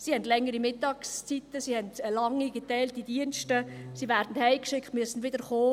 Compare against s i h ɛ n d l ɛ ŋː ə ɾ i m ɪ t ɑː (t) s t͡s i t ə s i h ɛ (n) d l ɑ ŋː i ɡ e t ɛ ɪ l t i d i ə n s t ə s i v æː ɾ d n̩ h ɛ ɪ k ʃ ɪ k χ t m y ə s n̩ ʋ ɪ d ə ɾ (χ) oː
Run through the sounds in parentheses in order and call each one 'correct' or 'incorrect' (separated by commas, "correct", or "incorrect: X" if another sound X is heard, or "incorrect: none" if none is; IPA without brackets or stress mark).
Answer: incorrect: k, correct, correct